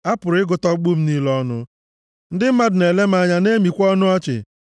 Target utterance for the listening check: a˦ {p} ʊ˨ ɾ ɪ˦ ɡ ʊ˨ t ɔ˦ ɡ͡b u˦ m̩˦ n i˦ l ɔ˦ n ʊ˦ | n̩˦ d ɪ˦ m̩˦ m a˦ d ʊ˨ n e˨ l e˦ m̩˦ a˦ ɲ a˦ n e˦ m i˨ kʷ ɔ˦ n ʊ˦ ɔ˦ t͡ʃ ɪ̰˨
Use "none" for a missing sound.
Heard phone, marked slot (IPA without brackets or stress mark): p